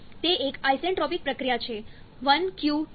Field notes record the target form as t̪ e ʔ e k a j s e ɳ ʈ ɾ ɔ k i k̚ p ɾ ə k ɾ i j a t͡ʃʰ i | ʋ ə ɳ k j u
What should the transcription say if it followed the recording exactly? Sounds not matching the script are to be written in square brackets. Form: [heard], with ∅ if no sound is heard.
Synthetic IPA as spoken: t̪ e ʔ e k a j s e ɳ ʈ ɾ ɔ [p] i k̚ p ɾ ə k ɾ i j a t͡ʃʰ [e] | ʋ ə [n] k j u